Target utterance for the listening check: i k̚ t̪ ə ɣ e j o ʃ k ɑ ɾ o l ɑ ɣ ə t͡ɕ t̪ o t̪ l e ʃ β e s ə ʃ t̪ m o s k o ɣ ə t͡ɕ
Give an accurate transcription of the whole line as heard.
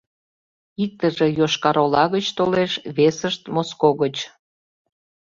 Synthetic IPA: i k̚ t̪ ə ʒ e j o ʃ k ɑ ɾ o l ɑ ɣ ə t͡ɕ t̪ o l e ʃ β e s ə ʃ t̪ m o s k o ɣ ə t͡ɕ